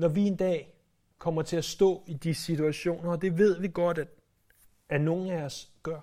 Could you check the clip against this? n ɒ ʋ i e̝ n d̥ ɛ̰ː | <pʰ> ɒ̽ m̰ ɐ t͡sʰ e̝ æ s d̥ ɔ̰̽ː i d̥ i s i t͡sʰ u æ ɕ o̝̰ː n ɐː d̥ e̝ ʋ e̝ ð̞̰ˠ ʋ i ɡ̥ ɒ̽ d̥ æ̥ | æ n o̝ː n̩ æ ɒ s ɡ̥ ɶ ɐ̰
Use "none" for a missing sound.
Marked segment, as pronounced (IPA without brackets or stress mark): kʰ